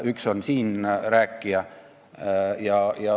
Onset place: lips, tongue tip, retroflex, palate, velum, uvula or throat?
velum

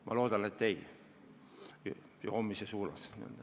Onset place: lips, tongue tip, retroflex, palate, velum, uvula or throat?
lips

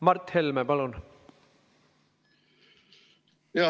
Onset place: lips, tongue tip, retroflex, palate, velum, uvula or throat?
lips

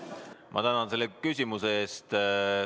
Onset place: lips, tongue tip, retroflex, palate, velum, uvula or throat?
lips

